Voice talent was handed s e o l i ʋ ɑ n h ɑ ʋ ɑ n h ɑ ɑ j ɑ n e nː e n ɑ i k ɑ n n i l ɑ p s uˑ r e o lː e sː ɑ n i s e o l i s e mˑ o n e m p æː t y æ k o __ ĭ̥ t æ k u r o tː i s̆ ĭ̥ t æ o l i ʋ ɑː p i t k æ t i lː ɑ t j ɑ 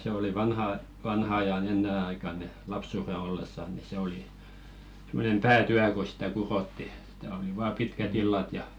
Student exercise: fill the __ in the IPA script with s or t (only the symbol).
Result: s